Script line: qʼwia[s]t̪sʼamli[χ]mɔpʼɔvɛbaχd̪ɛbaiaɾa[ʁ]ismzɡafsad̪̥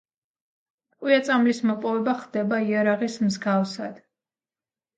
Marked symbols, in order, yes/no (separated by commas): no, no, yes